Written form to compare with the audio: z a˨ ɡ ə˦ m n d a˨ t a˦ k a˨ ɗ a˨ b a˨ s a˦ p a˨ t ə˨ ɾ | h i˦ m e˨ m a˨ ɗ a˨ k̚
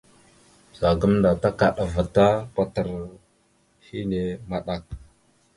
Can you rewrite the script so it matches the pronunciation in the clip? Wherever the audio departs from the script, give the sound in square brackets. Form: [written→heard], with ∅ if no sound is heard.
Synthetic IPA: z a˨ ɡ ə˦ m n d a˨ t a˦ k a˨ ɗ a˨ [b→v] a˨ [s→t] a˦ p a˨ t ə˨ ɾ | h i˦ [m→n] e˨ m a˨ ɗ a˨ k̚

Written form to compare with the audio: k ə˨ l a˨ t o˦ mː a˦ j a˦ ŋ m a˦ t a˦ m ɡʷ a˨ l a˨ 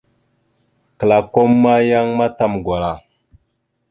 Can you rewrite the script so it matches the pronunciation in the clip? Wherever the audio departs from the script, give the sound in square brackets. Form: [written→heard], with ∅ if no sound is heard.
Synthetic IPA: k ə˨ l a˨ [t→k] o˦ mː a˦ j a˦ ŋ m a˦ t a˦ m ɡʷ a˨ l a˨

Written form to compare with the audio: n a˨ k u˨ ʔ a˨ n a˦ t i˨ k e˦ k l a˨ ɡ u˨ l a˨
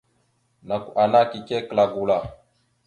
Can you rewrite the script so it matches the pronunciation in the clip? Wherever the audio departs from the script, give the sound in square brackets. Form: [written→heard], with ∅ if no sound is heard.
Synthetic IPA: n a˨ k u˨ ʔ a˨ n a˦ [t→k] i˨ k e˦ k l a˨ ɡ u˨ l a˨

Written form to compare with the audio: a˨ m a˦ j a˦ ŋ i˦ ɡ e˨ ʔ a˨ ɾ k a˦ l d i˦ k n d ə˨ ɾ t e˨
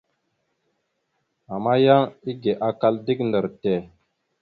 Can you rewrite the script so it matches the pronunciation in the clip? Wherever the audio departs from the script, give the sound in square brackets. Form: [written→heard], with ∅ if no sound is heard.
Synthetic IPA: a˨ m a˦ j a˦ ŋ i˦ ɡ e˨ ʔ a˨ [ɾ→∅] k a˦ l d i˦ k n d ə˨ ɾ t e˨

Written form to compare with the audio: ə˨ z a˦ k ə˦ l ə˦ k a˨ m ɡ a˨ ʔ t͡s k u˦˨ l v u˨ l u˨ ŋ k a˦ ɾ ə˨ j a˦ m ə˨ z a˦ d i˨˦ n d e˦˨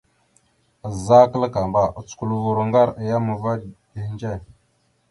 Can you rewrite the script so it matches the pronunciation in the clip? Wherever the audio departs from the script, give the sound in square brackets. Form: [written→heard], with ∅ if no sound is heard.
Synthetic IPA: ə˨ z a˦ k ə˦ l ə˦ k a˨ m [ɡ→b] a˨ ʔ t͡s k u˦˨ l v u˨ [l→ɾ] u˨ ŋ [k→ɡ] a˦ ɾ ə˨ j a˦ m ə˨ [z→v] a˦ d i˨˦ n [d→d͡ʒ] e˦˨

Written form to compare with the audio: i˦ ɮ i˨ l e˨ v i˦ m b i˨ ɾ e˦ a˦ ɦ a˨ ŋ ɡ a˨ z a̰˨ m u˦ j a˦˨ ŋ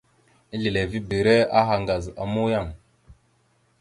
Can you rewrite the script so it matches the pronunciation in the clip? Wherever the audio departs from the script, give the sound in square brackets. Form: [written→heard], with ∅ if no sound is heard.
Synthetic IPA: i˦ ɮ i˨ l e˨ v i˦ [m→∅] b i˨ ɾ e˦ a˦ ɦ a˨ ŋ ɡ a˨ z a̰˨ m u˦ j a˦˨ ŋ

